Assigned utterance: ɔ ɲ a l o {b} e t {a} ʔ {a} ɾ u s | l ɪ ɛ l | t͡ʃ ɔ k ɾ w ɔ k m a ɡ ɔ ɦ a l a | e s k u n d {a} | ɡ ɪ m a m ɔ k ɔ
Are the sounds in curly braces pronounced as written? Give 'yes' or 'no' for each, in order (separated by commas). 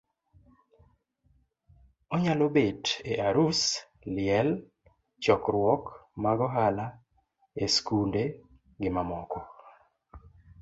yes, no, yes, no